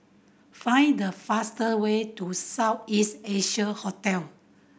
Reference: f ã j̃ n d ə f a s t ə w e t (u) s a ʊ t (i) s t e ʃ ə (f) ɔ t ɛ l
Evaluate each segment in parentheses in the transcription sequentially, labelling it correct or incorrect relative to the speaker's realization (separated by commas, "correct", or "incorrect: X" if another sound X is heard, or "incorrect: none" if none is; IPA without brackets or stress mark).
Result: correct, correct, incorrect: h